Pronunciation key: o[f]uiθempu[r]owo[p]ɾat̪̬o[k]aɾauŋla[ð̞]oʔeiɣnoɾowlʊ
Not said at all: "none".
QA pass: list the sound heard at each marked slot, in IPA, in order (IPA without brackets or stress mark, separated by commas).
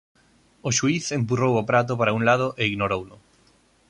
ʃ, r, p, p, ð̞